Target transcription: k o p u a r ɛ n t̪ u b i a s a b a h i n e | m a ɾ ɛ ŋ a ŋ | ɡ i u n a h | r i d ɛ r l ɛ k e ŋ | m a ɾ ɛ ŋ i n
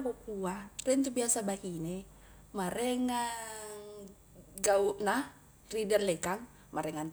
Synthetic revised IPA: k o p u a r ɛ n t̪ u b i a s a b a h i n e | m a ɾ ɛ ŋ a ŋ | ɡ a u n a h | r i d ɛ r l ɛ k a ŋ | m a ɾ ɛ ŋ a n